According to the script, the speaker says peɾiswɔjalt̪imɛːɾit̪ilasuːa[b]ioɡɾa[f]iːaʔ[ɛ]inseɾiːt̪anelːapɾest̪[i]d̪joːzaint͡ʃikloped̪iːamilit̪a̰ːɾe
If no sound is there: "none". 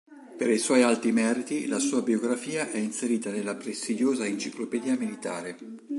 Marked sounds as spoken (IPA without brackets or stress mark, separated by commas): b, f, ɛ, i